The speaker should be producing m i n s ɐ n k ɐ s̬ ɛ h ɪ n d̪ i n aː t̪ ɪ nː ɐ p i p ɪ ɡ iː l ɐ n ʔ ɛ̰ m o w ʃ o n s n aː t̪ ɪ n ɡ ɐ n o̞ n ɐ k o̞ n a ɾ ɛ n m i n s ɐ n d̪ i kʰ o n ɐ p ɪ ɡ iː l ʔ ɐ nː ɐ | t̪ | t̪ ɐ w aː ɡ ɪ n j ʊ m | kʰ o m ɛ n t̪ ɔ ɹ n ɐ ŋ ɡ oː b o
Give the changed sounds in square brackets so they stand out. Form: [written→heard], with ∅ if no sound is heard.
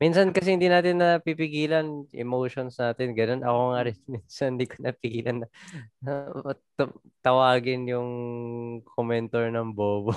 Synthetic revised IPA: m i n s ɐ n k ɐ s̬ ɛ h ɪ n d̪ i n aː t̪ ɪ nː ɐ p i p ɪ ɡ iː l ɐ n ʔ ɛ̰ m o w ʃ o n s n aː t̪ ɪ n ɡ ɐ n o̞ n ɐ k o̞ [n→ŋ] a ɾ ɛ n m i n s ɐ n d̪ i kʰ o n ɐ p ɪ ɡ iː l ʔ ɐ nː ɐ | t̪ | t̪ ɐ w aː ɡ ɪ n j ʊ [m→ŋ] | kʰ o m ɛ n t̪ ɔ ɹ n ɐ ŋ [ɡ→b] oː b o